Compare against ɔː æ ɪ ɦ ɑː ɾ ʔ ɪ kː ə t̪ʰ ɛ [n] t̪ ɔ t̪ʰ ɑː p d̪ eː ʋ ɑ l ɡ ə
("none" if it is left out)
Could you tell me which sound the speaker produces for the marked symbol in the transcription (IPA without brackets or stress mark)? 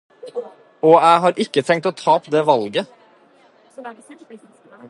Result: ŋ